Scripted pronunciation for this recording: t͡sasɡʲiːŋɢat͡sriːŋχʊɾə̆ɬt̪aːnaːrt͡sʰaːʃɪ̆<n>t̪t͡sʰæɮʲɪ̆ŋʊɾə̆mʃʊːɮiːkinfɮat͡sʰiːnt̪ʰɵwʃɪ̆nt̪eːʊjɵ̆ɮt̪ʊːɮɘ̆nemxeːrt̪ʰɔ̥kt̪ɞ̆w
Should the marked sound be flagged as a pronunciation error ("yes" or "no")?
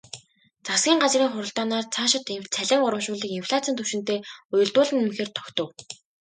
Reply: yes